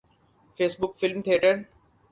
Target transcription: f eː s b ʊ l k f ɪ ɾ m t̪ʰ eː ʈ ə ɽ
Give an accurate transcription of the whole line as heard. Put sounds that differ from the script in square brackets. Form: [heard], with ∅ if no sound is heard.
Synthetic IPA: f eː s b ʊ [∅] k f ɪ [l] m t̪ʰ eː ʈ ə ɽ